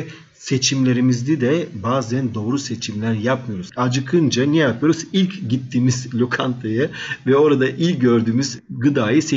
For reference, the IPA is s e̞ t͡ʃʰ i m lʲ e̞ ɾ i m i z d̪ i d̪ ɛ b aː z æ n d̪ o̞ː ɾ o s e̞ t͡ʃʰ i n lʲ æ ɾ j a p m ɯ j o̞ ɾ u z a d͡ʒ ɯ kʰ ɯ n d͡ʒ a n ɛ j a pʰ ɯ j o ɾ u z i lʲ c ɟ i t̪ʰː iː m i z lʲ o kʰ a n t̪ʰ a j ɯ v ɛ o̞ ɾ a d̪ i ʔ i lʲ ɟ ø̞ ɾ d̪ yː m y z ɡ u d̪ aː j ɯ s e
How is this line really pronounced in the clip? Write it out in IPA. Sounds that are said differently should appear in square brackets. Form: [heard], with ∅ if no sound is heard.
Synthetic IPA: s e̞ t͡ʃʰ i m lʲ e̞ ɾ i m i z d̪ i d̪ ɛ b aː z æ n d̪ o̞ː ɾ [u] s e̞ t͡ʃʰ i [m] lʲ æ ɾ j a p m ɯ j o̞ ɾ u z a d͡ʒ ɯ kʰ ɯ n d͡ʒ a n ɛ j a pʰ ɯ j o ɾ u z i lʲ c ɟ i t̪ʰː iː m i z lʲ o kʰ a n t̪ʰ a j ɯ v ɛ o̞ ɾ a d̪ [a] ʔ i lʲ ɟ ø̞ ɾ d̪ yː m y z ɡ [ɯ] d̪ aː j ɯ s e